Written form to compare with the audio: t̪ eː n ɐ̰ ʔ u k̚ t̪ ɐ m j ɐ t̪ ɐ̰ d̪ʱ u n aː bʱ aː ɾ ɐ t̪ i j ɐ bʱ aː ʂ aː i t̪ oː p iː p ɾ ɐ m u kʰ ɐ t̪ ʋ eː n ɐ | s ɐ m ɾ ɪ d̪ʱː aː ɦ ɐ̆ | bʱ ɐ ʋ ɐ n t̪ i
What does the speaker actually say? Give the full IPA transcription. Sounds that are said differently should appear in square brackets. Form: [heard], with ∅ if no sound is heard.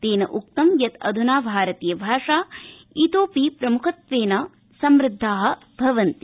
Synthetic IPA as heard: t̪ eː n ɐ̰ ʔ u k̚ t̪ ɐ m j ɐ t̪ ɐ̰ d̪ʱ u n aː bʱ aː ɾ ɐ t̪ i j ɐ bʱ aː ʂ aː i t̪ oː p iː p ɾ ɐ m u kʰ ɐ t̪ ʋ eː n ɐ | s ɐ m ɾ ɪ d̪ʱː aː ɦ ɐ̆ | bʱ ɐ ʋ ɐ n t̪ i